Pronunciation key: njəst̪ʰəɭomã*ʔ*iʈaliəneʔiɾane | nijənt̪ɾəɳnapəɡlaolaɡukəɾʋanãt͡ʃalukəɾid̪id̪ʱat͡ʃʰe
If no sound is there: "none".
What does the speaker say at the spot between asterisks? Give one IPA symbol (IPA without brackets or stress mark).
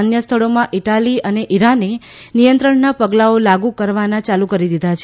ʔ